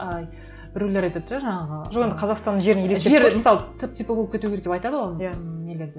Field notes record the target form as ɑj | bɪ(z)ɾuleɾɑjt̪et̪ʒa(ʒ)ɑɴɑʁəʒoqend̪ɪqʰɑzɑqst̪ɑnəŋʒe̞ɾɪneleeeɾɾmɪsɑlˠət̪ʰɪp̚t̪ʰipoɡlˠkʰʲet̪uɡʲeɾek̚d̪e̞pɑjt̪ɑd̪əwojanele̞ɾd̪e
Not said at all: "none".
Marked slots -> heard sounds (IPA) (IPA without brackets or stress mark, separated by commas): none, ʒ